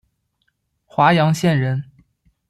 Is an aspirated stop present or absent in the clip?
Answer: absent